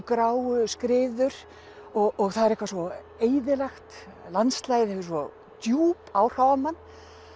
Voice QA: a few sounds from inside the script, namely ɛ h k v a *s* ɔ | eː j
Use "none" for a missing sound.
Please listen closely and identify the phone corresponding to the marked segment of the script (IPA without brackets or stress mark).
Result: s